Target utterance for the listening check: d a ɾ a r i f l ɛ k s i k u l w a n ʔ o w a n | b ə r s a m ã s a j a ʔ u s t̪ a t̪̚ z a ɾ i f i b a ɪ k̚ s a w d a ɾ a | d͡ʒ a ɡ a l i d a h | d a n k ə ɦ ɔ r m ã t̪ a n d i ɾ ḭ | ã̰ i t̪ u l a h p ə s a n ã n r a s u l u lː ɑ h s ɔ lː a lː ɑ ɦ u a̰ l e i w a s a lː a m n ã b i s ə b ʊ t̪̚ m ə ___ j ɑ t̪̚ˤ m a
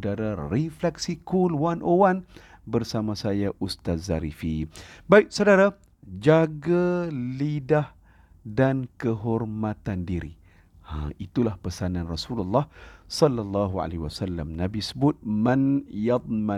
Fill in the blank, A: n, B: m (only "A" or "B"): A